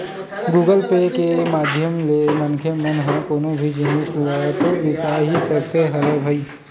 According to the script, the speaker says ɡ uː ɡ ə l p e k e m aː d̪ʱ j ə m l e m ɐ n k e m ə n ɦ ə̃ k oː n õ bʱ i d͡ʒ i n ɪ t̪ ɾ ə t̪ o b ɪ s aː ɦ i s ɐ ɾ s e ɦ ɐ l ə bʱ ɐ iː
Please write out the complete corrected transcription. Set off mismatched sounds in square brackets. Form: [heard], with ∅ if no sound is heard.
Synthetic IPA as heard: ɡ uː ɡ ə l p e k e m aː d̪ʱ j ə m l e m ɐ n [kʰ] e m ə n ɦ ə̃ k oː n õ bʱ i d͡ʒ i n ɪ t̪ [l] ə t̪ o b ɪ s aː ɦ i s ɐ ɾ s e ɦ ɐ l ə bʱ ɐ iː

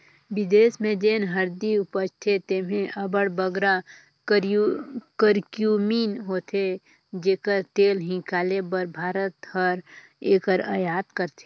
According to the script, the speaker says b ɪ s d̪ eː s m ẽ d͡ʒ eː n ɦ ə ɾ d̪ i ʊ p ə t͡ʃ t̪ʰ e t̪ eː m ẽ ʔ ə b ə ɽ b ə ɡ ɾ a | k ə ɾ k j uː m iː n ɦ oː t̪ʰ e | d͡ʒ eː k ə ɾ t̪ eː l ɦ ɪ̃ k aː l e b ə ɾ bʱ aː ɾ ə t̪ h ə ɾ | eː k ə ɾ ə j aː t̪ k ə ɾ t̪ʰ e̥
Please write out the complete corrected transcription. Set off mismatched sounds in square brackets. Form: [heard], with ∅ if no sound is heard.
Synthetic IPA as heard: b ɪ [∅] d̪ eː s m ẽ d͡ʒ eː n ɦ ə ɾ d̪ i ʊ p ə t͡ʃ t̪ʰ e t̪ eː m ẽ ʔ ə b ə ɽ b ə ɡ ɾ a | k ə ɾ k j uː m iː n ɦ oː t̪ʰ e | d͡ʒ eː k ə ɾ t̪ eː l ɦ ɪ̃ k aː l e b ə ɾ bʱ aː ɾ ə t̪ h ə ɾ | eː k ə ɾ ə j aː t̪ k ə ɾ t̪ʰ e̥

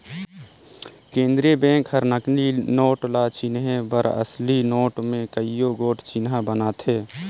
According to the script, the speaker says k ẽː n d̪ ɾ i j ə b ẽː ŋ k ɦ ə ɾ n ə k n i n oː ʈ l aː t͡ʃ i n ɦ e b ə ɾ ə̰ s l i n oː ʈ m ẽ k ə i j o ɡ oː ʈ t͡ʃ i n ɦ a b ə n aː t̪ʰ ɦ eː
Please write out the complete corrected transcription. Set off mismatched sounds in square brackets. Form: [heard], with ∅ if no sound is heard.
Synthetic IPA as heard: k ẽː n d̪ ɾ i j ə b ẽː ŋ k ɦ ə ɾ n ə k n i n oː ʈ l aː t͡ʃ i n ɦ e b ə ɾ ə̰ s l i n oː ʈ m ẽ k ə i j o ɡ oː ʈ t͡ʃ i n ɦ a b ə n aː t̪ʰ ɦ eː

